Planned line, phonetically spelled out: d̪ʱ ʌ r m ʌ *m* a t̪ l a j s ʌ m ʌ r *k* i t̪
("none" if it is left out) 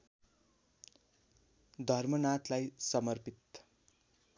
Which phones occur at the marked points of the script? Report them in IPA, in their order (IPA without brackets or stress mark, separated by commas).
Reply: n, p